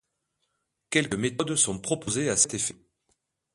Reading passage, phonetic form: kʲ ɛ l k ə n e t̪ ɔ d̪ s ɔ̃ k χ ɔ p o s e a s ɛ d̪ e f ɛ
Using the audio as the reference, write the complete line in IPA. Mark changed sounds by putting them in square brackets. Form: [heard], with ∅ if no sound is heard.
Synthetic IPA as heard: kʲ ɛ l k ə [m] e t̪ ɔ d̪ s ɔ̃ [p] χ ɔ p o [z] e a s ɛ [t̪] e f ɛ